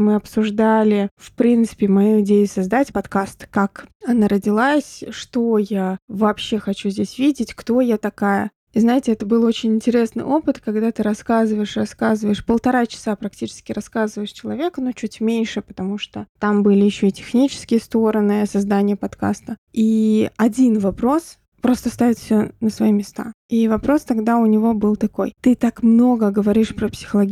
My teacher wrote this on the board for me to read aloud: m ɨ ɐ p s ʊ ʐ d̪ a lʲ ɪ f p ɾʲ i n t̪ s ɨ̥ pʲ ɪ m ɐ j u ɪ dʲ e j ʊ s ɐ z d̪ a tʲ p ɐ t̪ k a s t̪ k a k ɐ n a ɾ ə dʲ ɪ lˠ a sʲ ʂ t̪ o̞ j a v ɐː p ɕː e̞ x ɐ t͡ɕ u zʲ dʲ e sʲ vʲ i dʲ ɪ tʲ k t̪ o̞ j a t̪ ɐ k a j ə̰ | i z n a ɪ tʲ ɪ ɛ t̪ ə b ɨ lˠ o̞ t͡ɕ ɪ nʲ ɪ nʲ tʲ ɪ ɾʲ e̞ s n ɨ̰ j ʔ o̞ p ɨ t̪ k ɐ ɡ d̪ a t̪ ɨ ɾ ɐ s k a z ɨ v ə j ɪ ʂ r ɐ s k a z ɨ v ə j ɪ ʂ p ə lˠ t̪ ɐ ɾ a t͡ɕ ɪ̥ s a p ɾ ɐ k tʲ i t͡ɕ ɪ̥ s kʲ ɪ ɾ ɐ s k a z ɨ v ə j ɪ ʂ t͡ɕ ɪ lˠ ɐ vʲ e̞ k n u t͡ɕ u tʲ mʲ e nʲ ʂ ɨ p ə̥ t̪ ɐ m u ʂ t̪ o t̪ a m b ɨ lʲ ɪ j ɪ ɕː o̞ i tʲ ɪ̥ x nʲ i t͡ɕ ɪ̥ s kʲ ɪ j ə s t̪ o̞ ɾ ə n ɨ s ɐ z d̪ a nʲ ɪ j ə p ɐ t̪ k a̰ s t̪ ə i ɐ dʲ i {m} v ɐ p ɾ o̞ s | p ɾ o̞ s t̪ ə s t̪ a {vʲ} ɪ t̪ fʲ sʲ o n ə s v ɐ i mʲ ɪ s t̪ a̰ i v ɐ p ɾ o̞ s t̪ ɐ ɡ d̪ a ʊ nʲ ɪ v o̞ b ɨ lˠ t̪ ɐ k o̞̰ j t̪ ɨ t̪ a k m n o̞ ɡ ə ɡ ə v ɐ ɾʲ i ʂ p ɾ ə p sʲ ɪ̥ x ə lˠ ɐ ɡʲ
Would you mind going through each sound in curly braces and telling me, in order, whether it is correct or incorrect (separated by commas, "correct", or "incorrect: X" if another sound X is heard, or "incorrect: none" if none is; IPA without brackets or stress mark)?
incorrect: n, correct